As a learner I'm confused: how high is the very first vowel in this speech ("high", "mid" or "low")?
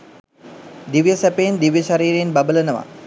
high